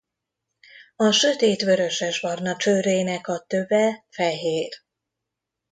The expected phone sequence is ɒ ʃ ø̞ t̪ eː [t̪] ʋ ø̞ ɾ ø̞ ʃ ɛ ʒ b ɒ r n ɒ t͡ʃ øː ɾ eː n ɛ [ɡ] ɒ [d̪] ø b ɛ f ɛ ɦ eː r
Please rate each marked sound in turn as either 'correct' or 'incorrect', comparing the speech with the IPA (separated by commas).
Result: correct, incorrect, incorrect